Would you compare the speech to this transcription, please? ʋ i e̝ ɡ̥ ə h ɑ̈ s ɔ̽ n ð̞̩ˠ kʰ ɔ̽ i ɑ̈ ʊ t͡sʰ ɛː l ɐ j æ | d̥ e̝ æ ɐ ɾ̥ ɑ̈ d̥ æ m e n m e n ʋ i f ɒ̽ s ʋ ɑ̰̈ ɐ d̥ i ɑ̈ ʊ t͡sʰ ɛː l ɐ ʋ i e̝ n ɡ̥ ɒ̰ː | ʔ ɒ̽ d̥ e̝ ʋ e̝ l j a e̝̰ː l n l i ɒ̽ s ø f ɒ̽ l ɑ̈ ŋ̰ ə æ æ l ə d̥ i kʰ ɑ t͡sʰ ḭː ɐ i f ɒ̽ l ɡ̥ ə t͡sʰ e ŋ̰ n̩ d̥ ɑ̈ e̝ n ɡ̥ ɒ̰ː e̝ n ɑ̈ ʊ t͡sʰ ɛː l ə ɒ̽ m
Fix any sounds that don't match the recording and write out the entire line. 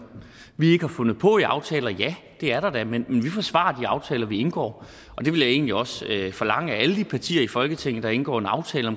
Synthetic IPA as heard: ʋ i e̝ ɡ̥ ə h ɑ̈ f ɔ̽ n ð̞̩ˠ pʰ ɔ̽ i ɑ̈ ʊ t͡sʰ ɛː l ɐ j æ | d̥ e̝ æ ɐ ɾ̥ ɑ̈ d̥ æ m e n m e n ʋ i f ɒ̽ s ʋ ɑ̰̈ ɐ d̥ i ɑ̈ ʊ t͡sʰ ɛː l ɐ ʋ i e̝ n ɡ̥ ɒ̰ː | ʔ ɒ̽ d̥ e̝ ʋ e̝ l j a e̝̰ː n l i ɒ̽ s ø f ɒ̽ l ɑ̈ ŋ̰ ə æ æ l ə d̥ i pʰ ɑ t͡sʰ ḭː ɐ i f ɒ̽ l ɡ̥ ə t͡sʰ e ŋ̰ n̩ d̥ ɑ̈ e̝ n ɡ̥ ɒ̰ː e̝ n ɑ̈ ʊ t͡sʰ ɛː l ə ɒ̽ m